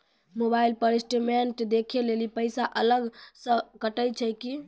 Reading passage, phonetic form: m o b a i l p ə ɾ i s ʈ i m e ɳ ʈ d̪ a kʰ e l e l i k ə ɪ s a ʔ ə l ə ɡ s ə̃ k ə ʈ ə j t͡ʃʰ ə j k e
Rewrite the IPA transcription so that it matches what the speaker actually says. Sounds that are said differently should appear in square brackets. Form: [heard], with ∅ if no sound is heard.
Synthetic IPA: m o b a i l p ə ɾ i s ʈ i m e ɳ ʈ d̪ [e] kʰ e l e l i [p] ə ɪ s a ʔ ə l ə ɡ s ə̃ k ə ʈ ə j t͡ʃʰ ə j k [i]